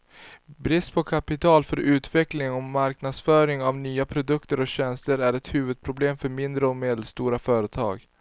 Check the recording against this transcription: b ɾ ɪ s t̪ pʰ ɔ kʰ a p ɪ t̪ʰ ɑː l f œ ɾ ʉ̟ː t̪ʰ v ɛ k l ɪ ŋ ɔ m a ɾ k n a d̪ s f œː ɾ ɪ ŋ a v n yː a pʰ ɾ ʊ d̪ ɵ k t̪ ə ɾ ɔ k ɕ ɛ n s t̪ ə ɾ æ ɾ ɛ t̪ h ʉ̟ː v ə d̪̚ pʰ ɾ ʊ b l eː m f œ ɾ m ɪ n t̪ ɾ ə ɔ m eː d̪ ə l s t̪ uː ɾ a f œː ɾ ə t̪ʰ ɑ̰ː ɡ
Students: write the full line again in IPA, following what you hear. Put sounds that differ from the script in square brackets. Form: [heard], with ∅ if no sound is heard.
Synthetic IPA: b ɾ ɪ s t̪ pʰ ɔ kʰ a p ɪ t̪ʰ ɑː l f œ ɾ ʉ̟ː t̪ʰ v ɛ k l ɪ ŋ ɔ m a ɾ k n a d̪ s f œː ɾ ɪ ŋ a v n yː a pʰ ɾ ʊ d̪ ɵ k t̪ ə ɾ ɔ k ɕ ɛ n s t̪ ə ɾ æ ɾ ɛ t̪ h ʉ̟ː v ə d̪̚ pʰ ɾ ʊ b l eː m f œ ɾ m ɪ n [d̪] ɾ ə ɔ m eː d̪ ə l s t̪ uː ɾ a f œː ɾ ə t̪ʰ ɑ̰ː ɡ